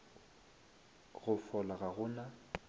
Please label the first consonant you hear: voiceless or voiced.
voiced